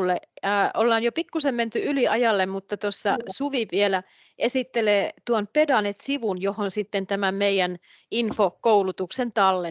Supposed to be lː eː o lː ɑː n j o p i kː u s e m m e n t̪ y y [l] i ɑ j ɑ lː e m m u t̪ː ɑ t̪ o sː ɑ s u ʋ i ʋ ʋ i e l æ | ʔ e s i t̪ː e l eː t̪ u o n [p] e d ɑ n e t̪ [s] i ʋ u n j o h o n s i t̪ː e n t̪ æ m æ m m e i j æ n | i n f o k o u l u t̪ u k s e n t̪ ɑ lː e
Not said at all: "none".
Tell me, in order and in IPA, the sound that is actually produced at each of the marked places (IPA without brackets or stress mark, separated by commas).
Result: l, p, s